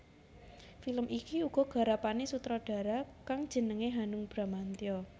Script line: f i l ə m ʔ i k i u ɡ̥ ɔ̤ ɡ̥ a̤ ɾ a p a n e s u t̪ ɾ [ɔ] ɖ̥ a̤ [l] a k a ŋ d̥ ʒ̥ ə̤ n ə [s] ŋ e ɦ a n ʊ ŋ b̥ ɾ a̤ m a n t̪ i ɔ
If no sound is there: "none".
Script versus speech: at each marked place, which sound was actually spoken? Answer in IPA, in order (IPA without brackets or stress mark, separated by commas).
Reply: ɔ, ɾ, none